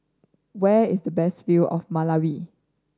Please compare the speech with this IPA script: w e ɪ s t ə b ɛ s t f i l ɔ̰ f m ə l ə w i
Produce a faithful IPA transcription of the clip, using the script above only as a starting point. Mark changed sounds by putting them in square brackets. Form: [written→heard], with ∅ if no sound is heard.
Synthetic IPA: w [e→ɛ] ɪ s [t→d] ə b ɛ s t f i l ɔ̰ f m [ə→a] l [ə→a] w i